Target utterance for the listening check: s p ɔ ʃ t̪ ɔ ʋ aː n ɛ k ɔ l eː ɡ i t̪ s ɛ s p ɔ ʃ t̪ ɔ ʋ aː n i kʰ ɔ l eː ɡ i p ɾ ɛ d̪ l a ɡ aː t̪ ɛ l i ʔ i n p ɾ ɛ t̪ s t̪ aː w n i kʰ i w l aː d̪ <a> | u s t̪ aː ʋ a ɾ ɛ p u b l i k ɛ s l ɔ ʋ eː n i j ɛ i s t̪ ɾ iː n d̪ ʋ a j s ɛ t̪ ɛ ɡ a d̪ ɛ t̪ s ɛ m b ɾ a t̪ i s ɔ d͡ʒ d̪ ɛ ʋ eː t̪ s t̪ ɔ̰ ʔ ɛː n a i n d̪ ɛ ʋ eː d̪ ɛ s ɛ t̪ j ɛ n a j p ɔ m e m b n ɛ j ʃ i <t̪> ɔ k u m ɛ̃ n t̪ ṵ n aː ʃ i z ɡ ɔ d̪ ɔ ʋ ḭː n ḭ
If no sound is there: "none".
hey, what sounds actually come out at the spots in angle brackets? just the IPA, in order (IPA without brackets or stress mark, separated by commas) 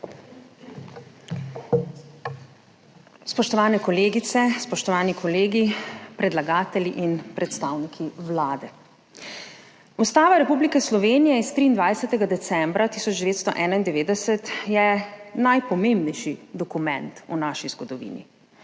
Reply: ɛ, d̪